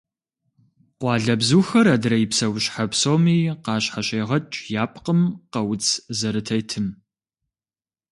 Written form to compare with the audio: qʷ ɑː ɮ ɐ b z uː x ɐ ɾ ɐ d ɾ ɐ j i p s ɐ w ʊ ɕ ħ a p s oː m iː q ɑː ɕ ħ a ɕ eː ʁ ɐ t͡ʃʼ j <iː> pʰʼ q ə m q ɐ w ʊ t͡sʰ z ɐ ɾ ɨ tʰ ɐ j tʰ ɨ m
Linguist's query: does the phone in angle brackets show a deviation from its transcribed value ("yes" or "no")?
yes